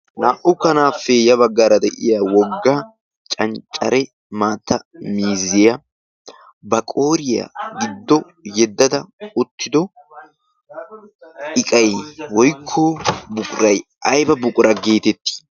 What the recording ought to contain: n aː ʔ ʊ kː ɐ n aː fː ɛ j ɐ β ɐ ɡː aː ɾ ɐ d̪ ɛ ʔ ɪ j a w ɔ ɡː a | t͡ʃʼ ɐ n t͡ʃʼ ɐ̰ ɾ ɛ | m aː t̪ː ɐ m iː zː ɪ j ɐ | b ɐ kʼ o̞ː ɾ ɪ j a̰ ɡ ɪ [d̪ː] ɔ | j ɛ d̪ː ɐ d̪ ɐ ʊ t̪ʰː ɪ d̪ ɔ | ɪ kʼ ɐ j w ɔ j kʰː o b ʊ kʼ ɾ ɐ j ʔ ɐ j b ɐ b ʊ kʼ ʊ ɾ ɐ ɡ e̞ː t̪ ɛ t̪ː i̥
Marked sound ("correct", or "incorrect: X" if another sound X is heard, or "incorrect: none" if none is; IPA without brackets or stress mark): correct